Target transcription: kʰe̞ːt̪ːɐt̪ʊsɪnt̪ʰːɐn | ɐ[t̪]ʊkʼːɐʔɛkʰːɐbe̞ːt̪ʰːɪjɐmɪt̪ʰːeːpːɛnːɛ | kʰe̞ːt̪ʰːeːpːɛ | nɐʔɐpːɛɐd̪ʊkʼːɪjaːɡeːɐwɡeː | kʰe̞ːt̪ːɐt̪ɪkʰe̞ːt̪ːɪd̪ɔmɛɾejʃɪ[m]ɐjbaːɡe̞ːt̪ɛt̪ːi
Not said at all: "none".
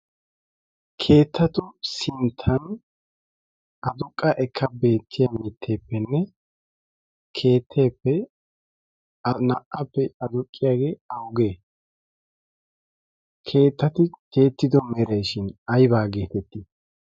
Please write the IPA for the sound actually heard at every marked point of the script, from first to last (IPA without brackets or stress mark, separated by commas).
d̪, n